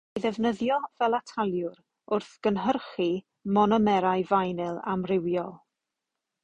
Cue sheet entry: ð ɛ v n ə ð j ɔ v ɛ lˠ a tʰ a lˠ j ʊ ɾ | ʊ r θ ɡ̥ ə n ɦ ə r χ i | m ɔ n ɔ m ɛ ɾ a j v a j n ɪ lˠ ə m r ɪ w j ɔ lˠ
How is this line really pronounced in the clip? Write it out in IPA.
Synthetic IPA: ð ɛ v n ə ð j ɔ v ɛ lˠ a tʰ a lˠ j ʊ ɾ | ʊ r θ ɡ̥ ə n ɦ ə r χ i | m ɔ n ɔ m ɛ ɾ a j v a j n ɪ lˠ a m r ɪ w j ɔ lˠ